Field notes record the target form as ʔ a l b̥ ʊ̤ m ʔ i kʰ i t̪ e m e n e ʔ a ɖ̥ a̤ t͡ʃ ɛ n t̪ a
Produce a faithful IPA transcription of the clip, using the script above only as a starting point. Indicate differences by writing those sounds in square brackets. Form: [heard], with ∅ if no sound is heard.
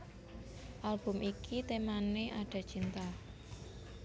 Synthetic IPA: ʔ a l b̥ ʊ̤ m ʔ i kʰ i t̪ e m [a] n e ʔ a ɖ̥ a̤ t͡ʃ [i] n t̪ a